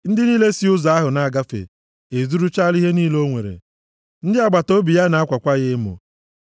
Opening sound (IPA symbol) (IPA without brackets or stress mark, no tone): n̩